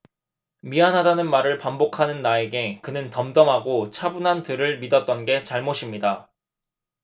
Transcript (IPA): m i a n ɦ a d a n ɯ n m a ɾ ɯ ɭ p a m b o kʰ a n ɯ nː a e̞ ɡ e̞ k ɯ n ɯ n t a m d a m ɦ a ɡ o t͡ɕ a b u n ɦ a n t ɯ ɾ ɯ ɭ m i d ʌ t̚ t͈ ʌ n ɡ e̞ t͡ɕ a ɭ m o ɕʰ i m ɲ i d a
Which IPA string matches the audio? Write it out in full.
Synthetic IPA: m i a n ɦ a d a n ɯ n m a ɾ ɯ ɭ p a m b o kʰ a n ɯ nː a e̞ ɡ e̞ k ɯ n ɯ n t ʌ m d ʌ m ɦ a ɡ o t͡ɕʰ a b u n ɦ a n t ɯ ɾ ɯ ɭ m i d ʌ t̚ t͈ ʌ n ɡ e̞ t͡ɕ a ɭ m o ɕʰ i m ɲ i d a